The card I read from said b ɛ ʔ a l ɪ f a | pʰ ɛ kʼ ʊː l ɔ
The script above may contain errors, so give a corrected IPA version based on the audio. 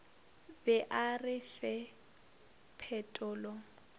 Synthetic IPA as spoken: b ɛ ʔ a r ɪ f ɛ | pʰ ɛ tʼ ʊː l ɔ